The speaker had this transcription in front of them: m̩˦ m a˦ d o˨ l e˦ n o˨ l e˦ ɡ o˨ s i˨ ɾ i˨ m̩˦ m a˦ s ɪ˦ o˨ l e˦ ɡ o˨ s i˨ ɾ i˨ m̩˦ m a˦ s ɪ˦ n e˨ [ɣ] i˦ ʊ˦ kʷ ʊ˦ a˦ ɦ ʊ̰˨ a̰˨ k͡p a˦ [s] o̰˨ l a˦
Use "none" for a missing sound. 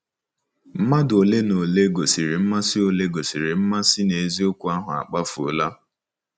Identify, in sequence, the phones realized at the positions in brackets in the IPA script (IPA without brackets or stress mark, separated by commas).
z, f